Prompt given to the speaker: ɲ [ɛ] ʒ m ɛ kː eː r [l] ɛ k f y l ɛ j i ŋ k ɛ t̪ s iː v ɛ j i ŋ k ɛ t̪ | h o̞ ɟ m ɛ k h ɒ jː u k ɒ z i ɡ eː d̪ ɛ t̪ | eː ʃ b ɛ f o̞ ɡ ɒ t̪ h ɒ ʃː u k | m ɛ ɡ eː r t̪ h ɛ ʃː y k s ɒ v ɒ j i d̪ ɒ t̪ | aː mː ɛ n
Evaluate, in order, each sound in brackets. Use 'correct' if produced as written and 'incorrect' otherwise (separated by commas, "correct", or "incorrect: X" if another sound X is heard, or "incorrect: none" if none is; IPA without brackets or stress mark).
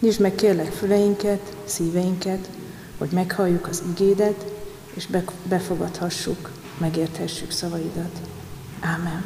incorrect: i, correct